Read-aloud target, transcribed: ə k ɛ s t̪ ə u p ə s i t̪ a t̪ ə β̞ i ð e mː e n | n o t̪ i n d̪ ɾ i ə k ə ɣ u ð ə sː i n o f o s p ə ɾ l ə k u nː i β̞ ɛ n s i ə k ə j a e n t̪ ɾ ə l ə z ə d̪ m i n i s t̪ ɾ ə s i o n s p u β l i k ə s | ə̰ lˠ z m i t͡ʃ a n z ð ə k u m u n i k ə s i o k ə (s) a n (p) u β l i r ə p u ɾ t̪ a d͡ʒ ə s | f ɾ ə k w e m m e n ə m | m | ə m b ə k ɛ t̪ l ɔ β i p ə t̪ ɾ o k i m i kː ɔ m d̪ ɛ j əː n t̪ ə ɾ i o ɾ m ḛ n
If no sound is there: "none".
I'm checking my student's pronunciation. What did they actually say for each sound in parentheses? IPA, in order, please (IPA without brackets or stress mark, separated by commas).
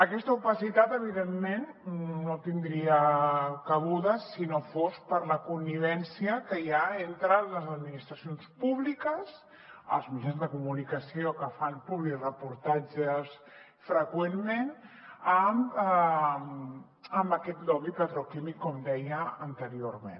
f, p